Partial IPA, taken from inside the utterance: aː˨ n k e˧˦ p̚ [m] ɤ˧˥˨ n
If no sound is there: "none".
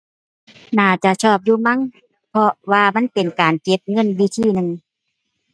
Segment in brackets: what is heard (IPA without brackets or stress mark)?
ŋ